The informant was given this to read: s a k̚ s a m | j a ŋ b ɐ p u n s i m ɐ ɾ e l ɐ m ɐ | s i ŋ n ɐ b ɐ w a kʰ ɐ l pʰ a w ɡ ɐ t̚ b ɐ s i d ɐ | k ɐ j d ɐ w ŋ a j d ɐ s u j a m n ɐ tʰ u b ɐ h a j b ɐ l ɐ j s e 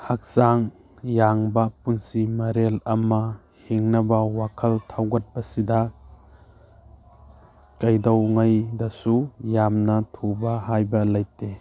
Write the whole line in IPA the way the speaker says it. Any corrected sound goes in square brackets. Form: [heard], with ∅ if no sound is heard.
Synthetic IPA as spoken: [h] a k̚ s a [ŋ] | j a ŋ b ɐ p u n s i m ɐ ɾ e l ɐ m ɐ | [h] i ŋ n ɐ b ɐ w a kʰ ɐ l [tʰ] a w ɡ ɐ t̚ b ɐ s i d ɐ | k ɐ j d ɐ w ŋ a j d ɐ s u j a m n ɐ tʰ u b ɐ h a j b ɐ l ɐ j [t] e